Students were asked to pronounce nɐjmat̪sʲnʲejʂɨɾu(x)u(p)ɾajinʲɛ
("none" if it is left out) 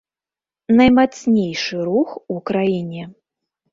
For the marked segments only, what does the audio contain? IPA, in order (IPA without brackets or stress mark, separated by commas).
x, k